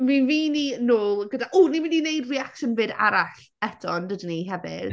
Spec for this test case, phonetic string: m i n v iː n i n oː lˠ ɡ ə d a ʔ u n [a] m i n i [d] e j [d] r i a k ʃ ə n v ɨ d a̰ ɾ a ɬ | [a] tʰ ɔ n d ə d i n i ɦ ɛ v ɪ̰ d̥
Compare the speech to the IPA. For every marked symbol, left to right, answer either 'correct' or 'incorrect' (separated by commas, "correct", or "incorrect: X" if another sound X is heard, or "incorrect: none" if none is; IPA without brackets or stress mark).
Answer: incorrect: i, incorrect: n, correct, incorrect: ɛ